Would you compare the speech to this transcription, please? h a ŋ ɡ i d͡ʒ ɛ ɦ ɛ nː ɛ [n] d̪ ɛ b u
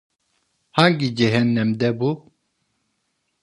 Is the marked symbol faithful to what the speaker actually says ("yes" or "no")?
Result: no